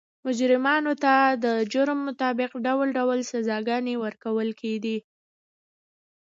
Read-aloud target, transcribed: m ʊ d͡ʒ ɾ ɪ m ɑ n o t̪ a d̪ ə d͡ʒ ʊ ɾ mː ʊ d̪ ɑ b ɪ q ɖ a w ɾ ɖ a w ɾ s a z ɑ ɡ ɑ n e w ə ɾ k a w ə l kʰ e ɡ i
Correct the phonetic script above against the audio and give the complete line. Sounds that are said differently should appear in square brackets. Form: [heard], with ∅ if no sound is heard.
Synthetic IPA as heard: m ʊ d͡ʒ ɾ ɪ m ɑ n o t̪ a d̪ ə d͡ʒ ʊ ɾ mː ʊ [t̪] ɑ b ɪ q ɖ a w [l] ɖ a w [l] s a z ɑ ɡ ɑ n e w ə ɾ k a w ə l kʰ e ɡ i